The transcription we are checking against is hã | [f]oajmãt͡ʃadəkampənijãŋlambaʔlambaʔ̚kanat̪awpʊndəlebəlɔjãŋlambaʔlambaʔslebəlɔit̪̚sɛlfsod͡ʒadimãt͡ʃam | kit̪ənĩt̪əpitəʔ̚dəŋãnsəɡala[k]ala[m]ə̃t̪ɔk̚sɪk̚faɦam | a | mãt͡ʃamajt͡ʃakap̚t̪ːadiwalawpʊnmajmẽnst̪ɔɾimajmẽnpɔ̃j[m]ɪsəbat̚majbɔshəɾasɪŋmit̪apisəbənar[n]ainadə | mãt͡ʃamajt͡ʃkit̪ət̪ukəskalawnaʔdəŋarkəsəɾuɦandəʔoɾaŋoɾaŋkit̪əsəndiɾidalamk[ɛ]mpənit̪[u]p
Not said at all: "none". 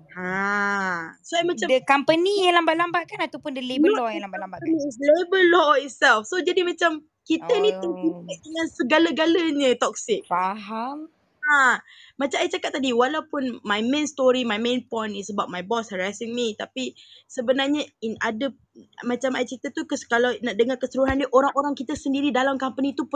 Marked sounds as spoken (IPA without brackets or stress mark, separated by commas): s, ɡ, ɲ, n, ɲ, a, u